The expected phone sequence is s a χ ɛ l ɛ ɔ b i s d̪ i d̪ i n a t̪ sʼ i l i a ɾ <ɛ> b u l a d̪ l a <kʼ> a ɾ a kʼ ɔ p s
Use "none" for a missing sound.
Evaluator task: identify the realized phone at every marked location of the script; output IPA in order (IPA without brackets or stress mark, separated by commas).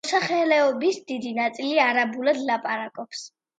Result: a, pʼ